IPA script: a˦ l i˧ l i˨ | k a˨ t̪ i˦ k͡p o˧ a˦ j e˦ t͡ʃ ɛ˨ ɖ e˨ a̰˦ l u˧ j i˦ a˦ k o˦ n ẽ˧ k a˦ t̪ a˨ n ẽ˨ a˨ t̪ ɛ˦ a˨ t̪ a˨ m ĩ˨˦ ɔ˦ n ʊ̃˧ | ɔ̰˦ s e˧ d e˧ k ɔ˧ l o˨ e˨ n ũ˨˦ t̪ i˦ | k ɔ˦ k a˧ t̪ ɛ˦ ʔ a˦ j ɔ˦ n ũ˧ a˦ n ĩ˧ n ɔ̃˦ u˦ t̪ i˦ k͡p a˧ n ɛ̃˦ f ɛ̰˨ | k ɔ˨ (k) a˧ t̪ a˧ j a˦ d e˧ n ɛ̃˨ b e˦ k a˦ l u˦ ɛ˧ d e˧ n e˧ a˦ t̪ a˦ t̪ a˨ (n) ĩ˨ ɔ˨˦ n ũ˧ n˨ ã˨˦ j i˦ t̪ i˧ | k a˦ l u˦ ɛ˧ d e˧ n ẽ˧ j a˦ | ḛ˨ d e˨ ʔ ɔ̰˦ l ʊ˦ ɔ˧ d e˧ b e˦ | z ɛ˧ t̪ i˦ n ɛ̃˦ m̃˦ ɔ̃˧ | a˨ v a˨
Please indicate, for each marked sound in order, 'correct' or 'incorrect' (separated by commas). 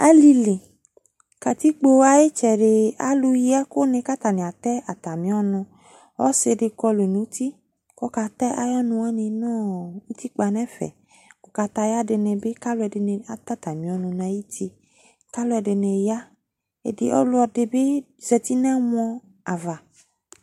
correct, incorrect